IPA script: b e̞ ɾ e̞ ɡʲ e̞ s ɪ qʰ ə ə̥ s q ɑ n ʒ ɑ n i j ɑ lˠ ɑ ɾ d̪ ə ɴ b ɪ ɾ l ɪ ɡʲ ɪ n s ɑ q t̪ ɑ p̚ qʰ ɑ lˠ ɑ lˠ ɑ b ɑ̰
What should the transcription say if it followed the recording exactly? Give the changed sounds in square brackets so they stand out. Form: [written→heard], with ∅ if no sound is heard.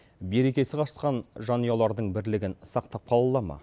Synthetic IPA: b e̞ ɾ e̞ [ɡʲ→kʲ] e̞ s ɪ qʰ [ə→ɑ] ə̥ s q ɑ n ʒ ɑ n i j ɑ lˠ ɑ ɾ d̪ ə ɴ b ɪ ɾ l ɪ ɡʲ ɪ n s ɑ q t̪ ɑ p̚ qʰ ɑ lˠ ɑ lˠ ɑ [b→m] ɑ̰